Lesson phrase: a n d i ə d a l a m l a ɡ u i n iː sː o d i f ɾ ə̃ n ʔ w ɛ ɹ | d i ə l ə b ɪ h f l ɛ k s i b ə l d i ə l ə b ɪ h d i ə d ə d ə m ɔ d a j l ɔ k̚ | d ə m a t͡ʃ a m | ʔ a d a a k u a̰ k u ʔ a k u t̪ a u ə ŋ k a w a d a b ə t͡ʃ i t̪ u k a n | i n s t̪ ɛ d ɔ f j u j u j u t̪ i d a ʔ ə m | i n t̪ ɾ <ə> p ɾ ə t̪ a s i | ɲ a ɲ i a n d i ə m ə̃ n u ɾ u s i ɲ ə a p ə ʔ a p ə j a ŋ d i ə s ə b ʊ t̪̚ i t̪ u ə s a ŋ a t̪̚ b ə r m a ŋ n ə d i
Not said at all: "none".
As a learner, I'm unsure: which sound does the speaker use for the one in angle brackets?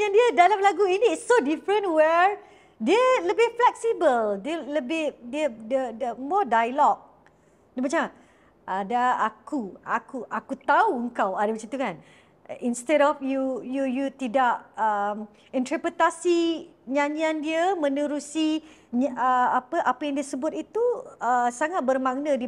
ə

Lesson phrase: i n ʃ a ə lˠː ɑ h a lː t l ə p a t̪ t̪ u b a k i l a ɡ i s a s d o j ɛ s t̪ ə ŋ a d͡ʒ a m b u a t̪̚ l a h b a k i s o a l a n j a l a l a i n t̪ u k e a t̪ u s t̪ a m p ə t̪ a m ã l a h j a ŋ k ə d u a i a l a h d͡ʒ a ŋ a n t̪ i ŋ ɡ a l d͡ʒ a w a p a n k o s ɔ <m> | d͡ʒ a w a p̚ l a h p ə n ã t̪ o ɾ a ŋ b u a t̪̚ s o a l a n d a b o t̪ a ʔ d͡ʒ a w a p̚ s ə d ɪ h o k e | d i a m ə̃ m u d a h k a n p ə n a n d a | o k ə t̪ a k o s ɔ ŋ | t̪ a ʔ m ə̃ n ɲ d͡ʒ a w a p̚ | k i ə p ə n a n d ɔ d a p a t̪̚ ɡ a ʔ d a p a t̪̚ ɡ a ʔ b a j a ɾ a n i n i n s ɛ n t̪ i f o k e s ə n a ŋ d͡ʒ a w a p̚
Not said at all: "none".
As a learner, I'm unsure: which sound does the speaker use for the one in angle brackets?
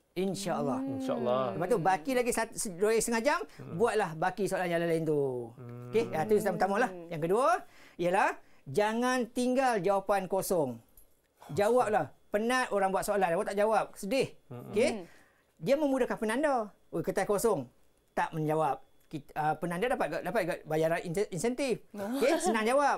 ŋ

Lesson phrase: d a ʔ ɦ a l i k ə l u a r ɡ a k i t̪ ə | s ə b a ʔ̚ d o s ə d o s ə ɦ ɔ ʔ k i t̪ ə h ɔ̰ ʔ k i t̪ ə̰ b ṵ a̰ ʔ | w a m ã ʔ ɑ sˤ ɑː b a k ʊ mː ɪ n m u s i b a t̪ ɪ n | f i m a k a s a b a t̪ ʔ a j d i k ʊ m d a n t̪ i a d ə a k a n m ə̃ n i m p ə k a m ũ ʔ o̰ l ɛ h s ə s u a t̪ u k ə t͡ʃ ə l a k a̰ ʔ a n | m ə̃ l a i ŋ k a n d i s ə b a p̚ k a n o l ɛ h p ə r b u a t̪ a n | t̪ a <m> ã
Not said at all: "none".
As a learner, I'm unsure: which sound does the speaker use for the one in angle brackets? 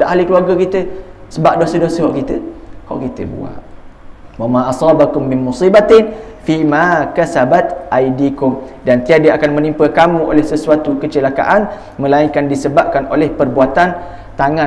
ŋ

